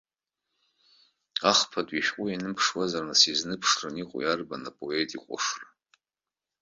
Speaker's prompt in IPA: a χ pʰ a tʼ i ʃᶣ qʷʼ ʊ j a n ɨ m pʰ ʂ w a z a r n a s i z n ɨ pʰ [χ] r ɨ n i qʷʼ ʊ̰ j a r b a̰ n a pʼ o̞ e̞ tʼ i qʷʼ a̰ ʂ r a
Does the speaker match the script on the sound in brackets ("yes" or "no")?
no